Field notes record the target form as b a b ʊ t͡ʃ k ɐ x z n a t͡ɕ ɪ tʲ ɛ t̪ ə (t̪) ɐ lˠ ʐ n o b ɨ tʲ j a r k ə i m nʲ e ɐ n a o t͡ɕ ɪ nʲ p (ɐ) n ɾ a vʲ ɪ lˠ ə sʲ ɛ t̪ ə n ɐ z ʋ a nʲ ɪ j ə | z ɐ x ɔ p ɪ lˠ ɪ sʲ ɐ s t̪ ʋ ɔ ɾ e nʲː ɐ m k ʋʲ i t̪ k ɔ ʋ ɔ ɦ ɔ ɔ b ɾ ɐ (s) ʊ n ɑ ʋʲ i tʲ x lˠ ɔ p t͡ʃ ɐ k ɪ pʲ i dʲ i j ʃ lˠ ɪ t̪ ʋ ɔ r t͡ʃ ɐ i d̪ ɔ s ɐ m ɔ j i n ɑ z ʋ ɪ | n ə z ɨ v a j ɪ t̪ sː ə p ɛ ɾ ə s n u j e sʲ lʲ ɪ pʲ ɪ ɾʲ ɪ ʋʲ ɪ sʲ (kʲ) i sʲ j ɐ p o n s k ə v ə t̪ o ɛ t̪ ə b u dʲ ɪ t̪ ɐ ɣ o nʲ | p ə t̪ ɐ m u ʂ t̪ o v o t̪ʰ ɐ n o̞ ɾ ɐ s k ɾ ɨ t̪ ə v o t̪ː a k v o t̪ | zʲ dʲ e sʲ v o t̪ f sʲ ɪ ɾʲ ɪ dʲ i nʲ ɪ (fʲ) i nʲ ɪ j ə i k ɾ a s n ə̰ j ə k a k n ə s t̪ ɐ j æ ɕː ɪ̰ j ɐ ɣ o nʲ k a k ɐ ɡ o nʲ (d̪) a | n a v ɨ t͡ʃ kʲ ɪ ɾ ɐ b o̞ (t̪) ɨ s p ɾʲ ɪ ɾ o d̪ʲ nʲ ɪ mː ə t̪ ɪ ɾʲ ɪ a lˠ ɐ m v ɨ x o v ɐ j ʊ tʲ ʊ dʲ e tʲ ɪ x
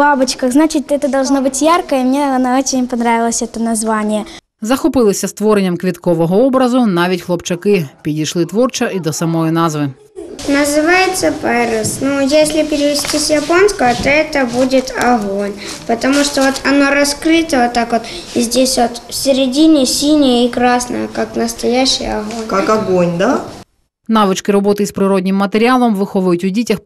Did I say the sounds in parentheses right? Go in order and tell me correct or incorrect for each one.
incorrect: d̪, correct, incorrect: z, incorrect: tʲ, incorrect: sʲ, correct, correct

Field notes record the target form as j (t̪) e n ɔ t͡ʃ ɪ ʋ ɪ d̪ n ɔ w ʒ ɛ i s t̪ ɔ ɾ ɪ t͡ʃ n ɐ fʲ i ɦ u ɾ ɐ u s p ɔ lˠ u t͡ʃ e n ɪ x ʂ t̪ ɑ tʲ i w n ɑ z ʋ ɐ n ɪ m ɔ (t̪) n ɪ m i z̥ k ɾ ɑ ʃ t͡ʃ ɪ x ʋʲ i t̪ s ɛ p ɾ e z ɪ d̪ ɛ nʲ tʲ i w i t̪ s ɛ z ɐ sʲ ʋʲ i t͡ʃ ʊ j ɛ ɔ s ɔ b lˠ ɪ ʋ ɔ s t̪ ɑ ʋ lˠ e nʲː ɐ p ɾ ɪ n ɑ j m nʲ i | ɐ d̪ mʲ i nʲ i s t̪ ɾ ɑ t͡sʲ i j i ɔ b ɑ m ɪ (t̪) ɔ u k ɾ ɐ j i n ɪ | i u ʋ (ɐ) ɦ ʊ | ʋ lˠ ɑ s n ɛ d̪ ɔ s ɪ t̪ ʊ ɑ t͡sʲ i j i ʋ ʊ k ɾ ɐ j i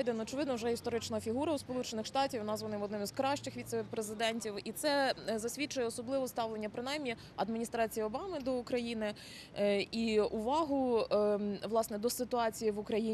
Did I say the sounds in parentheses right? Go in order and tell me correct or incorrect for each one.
incorrect: d̪, incorrect: d̪, incorrect: d̪, incorrect: ɑ

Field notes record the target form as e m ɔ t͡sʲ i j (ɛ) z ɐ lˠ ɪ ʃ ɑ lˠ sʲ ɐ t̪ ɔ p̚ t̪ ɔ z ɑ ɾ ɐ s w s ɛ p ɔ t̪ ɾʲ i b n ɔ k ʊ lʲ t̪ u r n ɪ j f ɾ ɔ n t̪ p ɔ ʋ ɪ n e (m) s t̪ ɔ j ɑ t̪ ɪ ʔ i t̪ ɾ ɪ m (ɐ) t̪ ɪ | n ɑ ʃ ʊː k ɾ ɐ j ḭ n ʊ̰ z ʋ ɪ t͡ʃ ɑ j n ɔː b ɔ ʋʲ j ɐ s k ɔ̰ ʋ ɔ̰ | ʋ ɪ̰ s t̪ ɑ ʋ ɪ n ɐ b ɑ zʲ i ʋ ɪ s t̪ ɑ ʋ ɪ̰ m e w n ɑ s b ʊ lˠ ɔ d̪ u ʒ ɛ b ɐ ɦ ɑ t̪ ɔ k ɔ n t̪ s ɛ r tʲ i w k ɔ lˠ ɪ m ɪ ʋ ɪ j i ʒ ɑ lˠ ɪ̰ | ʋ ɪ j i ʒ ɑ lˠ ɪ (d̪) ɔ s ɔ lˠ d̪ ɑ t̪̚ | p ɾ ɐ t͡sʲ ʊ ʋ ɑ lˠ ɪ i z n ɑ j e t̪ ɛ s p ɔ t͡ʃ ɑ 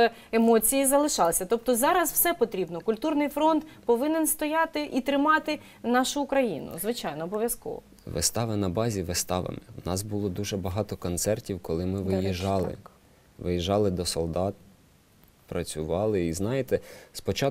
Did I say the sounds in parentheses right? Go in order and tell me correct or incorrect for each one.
incorrect: i, incorrect: n, incorrect: ɑ, correct

